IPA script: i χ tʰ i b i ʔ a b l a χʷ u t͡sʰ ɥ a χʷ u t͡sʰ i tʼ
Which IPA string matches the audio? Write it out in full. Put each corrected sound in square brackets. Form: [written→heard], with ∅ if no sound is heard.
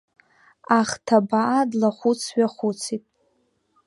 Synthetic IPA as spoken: [i→a] χ tʰ [i→a] b [i→a] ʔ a [b→d] l a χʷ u t͡sʰ ɥ a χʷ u t͡sʰ i tʼ